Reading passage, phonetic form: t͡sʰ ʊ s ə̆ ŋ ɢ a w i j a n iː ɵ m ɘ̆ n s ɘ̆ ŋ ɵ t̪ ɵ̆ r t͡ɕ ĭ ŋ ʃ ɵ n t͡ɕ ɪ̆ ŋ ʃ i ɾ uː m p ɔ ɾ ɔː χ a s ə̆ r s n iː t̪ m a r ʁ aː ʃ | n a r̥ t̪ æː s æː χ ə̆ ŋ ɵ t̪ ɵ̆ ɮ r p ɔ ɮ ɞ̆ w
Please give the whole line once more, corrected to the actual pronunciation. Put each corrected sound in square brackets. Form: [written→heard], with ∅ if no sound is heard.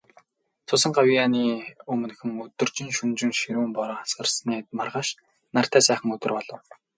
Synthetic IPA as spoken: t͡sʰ ʊ s ə̆ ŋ ɢ a w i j a n iː ɵ m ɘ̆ n [s→x] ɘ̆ ŋ ɵ t̪ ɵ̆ r t͡ɕ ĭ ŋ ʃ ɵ n t͡ɕ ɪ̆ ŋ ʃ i ɾ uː m p ɔ ɾ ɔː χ a s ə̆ r s n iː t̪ m a r ʁ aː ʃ | n a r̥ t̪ æː s æː χ ə̆ ŋ ɵ t̪ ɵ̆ [ɮ→∅] r p ɔ ɮ ɞ̆ w